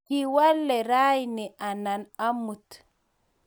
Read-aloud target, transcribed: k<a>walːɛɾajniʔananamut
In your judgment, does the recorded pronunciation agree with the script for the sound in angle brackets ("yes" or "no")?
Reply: no